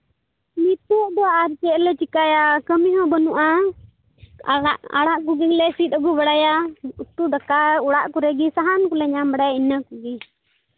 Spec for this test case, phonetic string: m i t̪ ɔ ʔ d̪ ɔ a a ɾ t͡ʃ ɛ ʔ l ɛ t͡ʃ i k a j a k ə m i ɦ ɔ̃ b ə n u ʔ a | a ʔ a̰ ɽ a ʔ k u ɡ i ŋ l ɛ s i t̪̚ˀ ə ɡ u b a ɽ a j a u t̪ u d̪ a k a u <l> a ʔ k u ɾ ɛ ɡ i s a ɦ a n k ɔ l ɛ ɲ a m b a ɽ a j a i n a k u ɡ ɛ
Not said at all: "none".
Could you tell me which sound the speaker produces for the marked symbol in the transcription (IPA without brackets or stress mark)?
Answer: ɽ